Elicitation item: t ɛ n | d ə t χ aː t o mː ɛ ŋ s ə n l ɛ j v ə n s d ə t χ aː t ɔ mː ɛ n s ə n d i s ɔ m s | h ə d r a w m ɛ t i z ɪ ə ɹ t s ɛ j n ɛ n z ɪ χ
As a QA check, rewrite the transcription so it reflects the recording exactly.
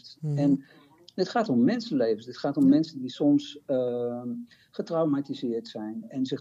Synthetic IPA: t ɛ n | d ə t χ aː t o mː ɛ n s ə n l e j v ə n s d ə t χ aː t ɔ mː ɛ n s ə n d i s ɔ m s | χ ə t r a w m a t i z ɪ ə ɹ t s ɛ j n ɛ n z ɪ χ